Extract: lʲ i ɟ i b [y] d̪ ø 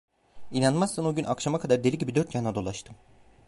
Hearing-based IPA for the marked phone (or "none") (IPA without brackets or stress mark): i